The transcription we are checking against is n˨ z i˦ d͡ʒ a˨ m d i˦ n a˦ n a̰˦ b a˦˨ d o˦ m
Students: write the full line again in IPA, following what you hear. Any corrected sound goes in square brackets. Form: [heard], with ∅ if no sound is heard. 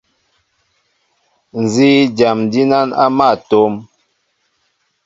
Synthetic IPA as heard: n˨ z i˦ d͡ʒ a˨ m d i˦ n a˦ n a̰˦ [m] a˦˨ [t] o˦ m

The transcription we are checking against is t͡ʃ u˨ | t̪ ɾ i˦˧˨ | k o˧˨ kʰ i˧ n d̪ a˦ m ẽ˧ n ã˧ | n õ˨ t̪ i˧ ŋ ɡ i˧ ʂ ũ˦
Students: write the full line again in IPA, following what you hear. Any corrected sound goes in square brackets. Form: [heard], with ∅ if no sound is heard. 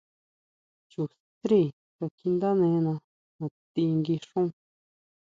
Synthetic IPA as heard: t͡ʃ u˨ | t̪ ɾ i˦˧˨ | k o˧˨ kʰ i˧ n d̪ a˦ [n] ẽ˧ n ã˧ | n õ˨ t̪ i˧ ŋ ɡ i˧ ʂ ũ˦

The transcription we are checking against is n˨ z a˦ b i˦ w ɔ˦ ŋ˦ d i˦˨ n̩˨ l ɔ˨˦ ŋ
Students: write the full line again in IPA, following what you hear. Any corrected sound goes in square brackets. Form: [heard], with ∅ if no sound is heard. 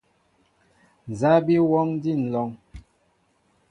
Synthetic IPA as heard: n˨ z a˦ b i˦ w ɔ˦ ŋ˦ d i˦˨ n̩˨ l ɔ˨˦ ŋ

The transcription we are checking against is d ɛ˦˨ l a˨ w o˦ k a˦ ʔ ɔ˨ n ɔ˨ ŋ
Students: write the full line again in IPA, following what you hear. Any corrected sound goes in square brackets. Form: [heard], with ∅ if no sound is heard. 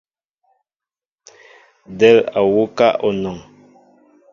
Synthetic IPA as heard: d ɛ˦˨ l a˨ w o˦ k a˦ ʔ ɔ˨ n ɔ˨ ŋ

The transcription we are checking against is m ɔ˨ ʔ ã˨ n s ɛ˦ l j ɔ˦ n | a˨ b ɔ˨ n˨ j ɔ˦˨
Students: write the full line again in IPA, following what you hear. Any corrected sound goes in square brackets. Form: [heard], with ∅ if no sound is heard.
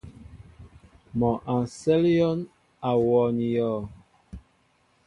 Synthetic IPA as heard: m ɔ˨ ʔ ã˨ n s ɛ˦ l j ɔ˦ n | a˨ [w] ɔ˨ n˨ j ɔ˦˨

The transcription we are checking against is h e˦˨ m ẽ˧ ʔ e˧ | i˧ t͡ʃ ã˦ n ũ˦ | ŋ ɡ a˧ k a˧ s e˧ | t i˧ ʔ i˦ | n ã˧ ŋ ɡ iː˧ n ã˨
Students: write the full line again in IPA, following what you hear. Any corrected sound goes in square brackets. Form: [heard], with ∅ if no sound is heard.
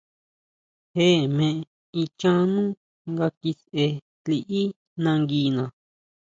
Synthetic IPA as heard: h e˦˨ m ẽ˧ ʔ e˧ | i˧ t͡ʃ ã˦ n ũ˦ | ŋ ɡ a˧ k [i˧] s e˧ | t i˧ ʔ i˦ | n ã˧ ŋ ɡ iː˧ n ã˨

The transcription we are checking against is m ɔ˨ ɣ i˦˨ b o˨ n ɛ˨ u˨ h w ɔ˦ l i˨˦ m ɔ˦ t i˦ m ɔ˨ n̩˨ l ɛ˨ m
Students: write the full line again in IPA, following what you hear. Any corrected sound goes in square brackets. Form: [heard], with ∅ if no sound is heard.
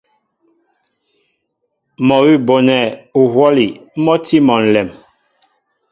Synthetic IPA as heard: m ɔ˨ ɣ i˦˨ b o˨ n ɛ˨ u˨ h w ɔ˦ l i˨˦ m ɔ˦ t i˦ m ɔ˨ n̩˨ l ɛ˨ m

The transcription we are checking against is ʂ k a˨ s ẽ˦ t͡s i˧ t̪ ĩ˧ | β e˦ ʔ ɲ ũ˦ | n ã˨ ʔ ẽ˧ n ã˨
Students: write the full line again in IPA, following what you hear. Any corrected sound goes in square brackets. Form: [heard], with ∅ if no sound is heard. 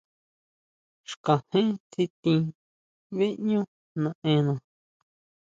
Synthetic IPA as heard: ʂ k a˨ [h] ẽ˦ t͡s i˧ t̪ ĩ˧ | β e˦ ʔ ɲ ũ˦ | n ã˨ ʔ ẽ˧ n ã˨

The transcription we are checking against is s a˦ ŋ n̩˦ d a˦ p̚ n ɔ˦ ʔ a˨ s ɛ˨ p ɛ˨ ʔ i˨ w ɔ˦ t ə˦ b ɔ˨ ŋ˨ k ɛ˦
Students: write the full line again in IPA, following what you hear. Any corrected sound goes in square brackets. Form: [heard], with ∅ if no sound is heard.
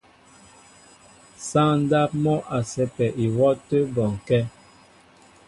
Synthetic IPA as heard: s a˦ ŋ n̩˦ d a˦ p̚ [m] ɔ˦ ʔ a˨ s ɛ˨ p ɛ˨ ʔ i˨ w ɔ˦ t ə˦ b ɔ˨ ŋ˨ k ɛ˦

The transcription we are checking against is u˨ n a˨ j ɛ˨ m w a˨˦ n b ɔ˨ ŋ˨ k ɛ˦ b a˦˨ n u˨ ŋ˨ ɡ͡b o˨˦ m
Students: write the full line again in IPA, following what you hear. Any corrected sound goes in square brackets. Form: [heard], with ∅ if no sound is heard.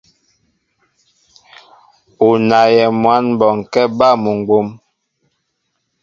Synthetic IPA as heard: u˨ n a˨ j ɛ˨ m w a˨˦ n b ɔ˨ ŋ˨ k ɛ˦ b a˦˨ [m] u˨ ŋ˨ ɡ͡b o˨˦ m

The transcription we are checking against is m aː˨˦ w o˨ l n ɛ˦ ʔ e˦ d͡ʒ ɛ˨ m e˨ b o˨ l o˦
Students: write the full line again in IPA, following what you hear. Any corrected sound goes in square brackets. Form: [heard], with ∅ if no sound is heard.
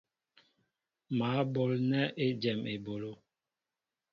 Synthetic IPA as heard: m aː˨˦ [b] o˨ l n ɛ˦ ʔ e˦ d͡ʒ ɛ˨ m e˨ b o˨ l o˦

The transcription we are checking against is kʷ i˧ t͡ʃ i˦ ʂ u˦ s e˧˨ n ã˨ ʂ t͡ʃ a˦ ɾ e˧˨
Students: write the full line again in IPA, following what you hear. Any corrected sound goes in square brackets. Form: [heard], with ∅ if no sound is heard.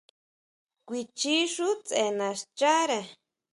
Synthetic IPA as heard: kʷ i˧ t͡ʃ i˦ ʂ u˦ [t͡s] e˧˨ n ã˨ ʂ t͡ʃ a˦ ɾ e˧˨

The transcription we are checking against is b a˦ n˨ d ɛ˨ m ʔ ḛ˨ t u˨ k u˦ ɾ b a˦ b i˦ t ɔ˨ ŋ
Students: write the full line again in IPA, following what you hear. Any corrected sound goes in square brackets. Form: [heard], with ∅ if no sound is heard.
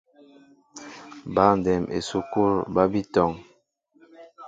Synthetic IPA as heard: b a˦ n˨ d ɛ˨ m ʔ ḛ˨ [s] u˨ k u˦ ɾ b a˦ b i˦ t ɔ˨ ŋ

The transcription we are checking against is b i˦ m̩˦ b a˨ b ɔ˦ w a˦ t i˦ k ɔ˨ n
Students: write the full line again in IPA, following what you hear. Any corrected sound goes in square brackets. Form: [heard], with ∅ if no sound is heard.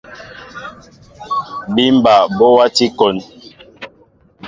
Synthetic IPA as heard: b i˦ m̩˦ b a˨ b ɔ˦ w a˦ t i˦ k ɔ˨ n

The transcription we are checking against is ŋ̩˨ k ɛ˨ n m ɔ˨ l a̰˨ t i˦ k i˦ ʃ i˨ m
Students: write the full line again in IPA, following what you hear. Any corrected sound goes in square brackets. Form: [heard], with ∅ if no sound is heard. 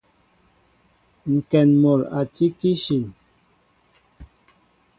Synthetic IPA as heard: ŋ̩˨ k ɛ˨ n m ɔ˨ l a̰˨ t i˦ k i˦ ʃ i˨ [n]

